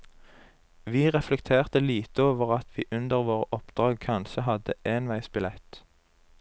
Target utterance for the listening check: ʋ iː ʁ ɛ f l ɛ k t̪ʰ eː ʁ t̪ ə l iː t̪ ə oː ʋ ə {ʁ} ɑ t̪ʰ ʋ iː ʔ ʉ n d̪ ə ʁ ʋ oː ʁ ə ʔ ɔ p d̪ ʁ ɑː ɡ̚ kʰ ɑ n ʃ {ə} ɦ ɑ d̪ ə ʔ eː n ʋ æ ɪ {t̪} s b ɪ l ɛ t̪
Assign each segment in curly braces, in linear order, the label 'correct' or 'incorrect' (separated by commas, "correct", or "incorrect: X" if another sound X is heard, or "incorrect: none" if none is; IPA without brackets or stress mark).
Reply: correct, correct, incorrect: none